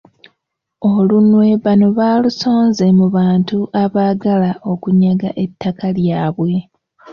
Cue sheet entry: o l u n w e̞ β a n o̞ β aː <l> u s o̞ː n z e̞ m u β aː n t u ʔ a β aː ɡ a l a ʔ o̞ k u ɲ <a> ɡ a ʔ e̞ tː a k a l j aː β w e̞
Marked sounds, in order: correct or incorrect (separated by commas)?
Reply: correct, correct